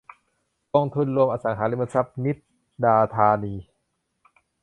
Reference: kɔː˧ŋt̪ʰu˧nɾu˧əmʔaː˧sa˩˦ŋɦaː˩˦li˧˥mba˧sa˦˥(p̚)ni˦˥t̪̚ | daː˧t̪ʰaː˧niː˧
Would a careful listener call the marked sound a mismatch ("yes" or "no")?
no